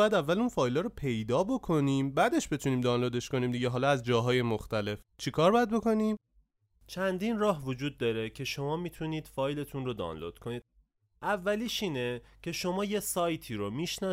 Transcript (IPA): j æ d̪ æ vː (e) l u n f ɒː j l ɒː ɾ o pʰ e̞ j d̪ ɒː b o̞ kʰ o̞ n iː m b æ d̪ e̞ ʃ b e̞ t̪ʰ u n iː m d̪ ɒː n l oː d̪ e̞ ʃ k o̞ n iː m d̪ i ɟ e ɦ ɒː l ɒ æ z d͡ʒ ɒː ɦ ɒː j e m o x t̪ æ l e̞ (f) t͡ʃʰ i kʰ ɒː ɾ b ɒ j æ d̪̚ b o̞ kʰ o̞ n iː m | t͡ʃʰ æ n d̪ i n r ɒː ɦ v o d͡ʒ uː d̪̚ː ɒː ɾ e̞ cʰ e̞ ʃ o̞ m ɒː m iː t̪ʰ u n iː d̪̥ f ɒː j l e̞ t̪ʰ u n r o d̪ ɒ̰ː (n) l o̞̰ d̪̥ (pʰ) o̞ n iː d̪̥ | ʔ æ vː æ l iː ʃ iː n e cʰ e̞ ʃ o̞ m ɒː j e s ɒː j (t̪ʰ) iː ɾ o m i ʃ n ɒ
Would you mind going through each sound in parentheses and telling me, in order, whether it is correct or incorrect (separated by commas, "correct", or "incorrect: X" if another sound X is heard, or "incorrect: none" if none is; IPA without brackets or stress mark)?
incorrect: æ, correct, correct, incorrect: kʰ, correct